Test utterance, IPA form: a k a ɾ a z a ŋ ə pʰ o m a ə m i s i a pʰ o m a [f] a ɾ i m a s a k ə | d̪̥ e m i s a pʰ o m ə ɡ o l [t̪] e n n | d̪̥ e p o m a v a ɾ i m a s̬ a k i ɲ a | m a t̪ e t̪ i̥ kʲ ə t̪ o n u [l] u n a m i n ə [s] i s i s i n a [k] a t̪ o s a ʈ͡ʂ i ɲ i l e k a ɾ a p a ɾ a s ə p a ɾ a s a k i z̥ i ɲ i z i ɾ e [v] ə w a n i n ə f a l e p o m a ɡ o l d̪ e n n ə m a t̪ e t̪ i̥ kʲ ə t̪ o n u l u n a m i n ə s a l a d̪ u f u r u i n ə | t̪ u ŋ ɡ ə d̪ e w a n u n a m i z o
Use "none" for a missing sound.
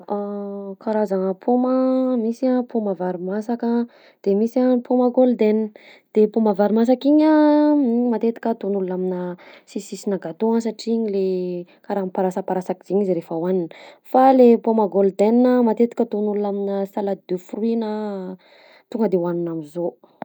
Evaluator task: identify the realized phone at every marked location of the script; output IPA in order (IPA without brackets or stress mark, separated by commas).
v, d̪, l, s, ɡ, f